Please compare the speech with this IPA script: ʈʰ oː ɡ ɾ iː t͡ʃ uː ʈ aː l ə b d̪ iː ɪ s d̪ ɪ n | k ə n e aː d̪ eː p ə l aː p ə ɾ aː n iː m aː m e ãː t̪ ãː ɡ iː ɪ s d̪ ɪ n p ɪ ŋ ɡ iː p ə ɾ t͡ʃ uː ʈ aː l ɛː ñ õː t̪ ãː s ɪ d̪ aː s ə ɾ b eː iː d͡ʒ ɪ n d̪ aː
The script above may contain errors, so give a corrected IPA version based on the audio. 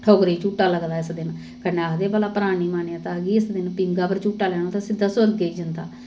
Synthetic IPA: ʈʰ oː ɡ ɾ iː t͡ʃ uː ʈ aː l ə ɡ d̪ aː ɪ s d̪ ɪ n | k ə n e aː d̪ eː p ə l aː p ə ɾ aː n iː m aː n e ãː t̪ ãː ɡ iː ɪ s d̪ ɪ n p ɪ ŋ ɡ aː p ə ɾ t͡ʃ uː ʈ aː l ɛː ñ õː t̪ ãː s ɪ d̪ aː s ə ɾ ɡ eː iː d͡ʒ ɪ n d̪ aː